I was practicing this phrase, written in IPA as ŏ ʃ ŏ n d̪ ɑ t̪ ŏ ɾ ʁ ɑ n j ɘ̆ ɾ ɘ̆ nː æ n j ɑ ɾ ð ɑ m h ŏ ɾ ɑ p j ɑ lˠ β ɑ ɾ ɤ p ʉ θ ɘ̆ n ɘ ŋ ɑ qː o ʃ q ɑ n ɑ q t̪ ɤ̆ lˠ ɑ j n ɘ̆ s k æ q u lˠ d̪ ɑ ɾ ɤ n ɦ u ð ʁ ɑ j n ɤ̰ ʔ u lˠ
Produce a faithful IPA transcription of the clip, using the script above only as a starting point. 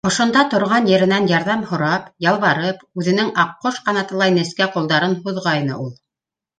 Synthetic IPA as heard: ŏ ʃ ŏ n d̪ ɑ t̪ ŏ ɾ ʁ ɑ n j ɘ̆ ɾ ɘ̆ n æ n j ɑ ɾ ð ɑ m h ŏ ɾ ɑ p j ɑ lˠ β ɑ ɾ ɤ p ʉ ð ɘ̆ n ɘ ŋ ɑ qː o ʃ q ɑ n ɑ t̪ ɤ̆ lˠ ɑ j n ɘ̆ s k æ q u lˠ d̪ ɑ ɾ ɤ n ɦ u ð ʁ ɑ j n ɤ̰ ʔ u lˠ